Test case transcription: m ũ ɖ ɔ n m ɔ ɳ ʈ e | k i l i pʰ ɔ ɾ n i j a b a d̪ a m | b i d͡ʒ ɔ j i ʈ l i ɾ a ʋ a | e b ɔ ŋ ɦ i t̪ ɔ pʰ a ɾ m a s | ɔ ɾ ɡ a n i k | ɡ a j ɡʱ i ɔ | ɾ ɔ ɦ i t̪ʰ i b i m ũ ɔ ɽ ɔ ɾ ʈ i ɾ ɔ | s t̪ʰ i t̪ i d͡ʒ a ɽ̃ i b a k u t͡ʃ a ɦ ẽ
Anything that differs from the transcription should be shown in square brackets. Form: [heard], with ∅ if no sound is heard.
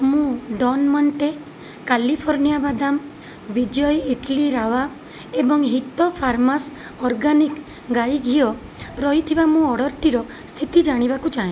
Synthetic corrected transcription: m ũ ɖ ɔ n m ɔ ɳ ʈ e | k [a] l i pʰ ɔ ɾ n i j a b a d̪ a m | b i d͡ʒ ɔ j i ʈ l i ɾ a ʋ a | e b ɔ ŋ ɦ i t̪ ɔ pʰ a ɾ m a s | ɔ ɾ ɡ a n i k | ɡ a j ɡʱ i ɔ | ɾ ɔ ɦ i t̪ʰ i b [a] m ũ ɔ ɽ ɔ ɾ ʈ i ɾ ɔ | s t̪ʰ i t̪ i d͡ʒ a ɽ̃ i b a k u t͡ʃ a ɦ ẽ